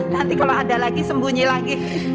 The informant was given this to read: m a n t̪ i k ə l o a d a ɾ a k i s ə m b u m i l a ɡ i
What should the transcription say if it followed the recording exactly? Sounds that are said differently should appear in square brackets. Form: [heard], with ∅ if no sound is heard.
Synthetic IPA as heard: [n] a n t̪ i k [a] l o a d a [l] a [ɡ] i s ə m b u [ɲ] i l a ɡ i